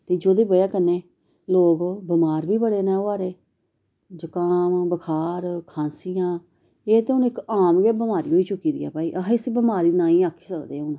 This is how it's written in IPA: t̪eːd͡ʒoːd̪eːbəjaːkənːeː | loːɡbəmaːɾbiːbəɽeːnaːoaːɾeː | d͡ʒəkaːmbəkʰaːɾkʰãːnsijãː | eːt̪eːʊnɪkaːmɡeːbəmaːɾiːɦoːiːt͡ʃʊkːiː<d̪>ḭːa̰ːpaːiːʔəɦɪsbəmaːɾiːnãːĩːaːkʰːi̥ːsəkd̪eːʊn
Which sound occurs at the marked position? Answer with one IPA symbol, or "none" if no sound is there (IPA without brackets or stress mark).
d̪